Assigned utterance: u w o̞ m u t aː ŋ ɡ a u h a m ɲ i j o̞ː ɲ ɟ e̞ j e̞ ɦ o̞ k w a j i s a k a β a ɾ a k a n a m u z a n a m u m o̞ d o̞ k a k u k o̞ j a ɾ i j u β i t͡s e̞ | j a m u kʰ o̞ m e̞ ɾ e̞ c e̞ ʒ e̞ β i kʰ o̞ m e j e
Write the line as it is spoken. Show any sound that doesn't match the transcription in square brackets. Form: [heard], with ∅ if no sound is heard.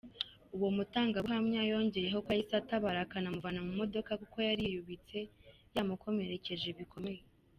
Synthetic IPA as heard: u w o̞ m u t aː ŋ ɡ a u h a m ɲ [a] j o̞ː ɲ ɟ e̞ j e̞ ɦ o̞ k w a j i s a [t] a β a ɾ a k a n a m u [v] a n a m u m o̞ d o̞ k a k u k o̞ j a ɾ i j u β i t͡s e̞ | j a m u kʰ o̞ m e̞ ɾ e̞ c e̞ ʒ e̞ β i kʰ o̞ m e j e